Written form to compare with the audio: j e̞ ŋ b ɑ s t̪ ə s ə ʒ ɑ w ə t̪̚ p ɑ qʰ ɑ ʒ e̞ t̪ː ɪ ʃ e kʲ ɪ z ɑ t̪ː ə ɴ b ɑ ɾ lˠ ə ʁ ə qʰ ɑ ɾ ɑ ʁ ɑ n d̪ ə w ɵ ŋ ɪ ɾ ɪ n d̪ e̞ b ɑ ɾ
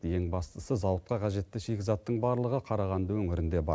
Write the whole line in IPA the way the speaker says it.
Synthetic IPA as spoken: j e̞ ŋ b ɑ s t̪ ə s ə z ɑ w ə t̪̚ q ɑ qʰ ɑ ʒ e̞ t̪ː ɪ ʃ e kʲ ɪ z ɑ t̪ː ə ɴ b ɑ ɾ lˠ ə ʁ ə qʰ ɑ ɾ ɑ ʁ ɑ n d̪ ə w ɵ ŋ ɪ ɾ ɪ n d̪ e̞ b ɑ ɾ